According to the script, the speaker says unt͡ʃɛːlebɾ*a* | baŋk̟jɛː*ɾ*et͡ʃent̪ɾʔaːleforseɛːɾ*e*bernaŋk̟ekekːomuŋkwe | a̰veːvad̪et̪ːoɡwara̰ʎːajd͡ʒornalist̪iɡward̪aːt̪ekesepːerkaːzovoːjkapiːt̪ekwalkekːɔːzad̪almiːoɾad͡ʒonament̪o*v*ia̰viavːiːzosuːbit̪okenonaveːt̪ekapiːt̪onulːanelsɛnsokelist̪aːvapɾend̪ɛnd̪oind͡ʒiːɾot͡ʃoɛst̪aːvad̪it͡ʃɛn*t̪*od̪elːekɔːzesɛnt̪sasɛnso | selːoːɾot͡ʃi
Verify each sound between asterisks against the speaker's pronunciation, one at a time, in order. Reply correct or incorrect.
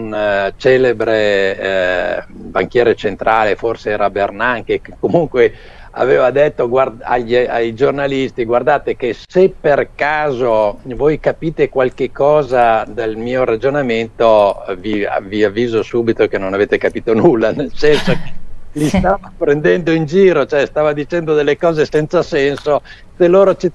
incorrect, correct, incorrect, correct, incorrect

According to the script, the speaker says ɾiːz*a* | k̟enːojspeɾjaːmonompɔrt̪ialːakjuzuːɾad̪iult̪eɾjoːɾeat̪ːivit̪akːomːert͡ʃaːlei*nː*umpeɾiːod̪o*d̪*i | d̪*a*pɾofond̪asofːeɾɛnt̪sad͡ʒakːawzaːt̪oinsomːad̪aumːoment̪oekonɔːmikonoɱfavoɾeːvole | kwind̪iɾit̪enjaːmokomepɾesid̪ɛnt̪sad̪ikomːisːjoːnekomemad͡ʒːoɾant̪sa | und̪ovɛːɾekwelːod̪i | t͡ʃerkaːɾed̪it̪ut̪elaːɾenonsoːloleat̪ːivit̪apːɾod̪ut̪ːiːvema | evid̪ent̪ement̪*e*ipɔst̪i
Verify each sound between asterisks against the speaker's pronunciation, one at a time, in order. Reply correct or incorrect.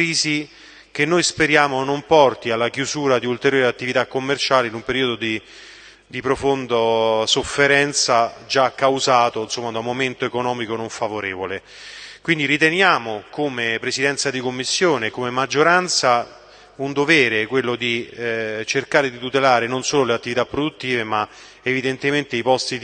incorrect, incorrect, correct, incorrect, correct

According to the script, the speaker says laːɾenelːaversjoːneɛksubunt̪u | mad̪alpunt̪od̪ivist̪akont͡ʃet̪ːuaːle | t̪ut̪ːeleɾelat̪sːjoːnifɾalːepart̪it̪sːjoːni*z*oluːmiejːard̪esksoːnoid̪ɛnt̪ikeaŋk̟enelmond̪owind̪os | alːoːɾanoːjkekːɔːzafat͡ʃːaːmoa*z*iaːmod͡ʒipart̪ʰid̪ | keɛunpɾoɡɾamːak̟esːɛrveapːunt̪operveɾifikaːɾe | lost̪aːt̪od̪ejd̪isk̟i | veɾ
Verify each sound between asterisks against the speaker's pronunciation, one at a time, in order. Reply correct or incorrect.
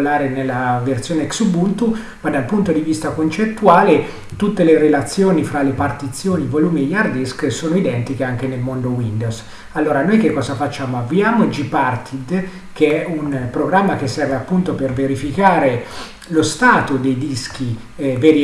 incorrect, incorrect

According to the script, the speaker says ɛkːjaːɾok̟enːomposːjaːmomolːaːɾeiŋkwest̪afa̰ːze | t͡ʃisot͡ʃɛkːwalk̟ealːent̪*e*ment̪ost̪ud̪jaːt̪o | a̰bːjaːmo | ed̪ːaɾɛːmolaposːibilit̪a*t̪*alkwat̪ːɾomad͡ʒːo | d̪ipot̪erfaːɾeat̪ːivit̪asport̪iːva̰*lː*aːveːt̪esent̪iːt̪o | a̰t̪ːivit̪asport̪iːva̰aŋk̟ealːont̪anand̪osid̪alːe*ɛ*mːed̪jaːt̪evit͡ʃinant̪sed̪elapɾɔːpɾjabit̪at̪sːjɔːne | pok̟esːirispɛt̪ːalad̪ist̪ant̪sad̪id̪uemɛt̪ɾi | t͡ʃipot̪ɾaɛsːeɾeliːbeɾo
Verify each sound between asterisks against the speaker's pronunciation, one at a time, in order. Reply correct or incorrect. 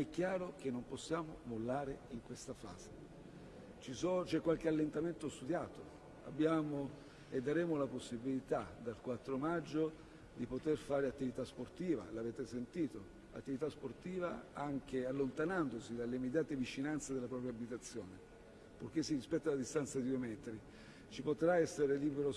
incorrect, incorrect, incorrect, incorrect

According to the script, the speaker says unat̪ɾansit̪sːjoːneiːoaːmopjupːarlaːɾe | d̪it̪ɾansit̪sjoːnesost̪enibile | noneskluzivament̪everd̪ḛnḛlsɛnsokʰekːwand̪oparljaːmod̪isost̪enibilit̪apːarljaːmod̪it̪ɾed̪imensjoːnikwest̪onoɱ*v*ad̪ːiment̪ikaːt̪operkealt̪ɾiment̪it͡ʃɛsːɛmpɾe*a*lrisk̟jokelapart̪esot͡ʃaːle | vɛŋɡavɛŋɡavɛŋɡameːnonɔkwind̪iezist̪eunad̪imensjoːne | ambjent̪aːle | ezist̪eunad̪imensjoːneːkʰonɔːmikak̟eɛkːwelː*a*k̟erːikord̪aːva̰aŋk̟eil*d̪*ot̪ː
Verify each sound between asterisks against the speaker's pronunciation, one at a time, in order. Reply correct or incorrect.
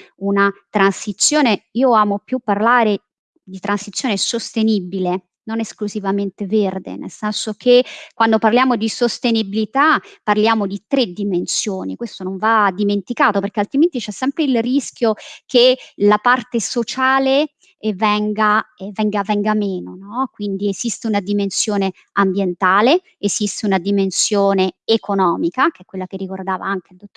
correct, incorrect, correct, correct

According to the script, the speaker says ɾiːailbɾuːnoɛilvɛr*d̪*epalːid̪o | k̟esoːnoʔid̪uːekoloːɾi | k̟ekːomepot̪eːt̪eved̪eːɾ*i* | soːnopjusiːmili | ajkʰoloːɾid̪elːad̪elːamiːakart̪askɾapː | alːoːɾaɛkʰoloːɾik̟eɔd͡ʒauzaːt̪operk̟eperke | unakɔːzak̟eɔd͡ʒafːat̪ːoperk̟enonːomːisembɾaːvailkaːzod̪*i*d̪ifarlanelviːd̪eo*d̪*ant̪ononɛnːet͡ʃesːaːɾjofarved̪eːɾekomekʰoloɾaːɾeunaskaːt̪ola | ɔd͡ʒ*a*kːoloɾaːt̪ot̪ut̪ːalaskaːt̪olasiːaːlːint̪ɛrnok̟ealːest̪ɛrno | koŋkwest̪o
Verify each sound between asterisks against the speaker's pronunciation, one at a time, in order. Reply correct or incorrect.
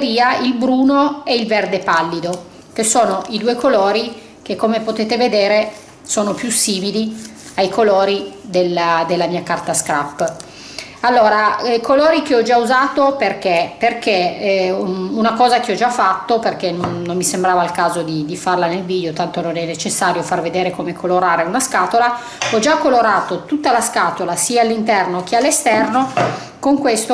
correct, incorrect, correct, incorrect, correct

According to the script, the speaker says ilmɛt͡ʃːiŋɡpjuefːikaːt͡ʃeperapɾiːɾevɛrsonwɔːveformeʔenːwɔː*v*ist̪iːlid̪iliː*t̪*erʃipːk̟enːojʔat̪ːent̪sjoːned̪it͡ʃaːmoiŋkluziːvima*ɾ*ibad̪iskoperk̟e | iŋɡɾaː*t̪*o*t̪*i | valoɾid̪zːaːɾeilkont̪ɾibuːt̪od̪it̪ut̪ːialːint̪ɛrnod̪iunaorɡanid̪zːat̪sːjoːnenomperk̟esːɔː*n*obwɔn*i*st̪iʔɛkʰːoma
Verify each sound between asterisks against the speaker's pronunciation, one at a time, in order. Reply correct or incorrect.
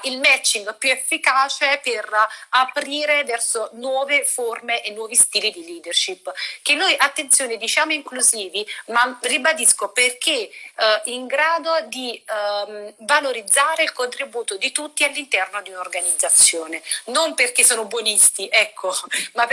correct, incorrect, incorrect, incorrect, incorrect, correct, correct

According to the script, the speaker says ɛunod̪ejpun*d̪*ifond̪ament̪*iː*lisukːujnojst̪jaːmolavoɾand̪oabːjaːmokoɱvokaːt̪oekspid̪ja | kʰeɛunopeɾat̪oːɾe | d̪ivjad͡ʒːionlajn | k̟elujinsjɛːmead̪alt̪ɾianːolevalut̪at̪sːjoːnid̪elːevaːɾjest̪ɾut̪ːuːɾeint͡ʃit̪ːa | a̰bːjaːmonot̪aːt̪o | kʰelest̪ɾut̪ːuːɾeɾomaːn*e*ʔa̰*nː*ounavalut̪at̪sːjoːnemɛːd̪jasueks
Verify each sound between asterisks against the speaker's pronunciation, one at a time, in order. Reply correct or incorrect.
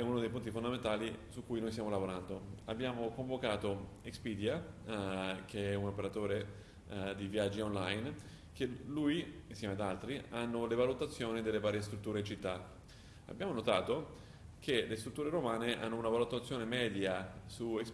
incorrect, incorrect, correct, correct

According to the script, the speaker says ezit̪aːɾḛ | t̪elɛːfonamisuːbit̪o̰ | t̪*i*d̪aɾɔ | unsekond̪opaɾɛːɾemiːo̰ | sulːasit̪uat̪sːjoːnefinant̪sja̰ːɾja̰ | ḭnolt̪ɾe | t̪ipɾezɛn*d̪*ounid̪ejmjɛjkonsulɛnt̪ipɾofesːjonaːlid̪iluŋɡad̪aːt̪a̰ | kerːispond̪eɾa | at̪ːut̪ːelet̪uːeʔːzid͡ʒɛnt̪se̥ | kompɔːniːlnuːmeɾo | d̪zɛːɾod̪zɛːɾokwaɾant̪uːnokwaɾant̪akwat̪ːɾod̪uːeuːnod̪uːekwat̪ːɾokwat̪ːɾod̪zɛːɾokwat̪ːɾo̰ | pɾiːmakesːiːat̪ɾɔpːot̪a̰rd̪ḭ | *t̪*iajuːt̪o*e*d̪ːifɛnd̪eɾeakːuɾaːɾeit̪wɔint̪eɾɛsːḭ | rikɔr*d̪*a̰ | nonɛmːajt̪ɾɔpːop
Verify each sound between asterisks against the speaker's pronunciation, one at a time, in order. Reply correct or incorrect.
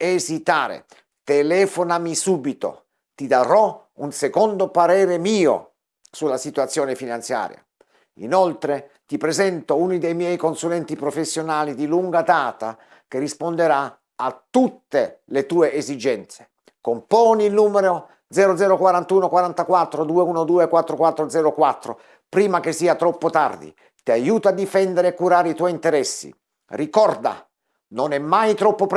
correct, incorrect, correct, incorrect, correct

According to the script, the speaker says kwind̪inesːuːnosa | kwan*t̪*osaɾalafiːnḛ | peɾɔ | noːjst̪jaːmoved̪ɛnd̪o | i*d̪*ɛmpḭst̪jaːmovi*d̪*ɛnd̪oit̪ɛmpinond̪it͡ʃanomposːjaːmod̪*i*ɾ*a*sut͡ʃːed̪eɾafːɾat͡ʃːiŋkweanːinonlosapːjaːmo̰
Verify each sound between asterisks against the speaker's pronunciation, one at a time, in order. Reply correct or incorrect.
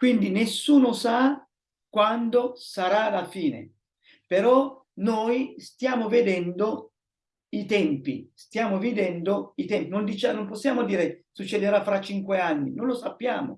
incorrect, incorrect, correct, incorrect, incorrect

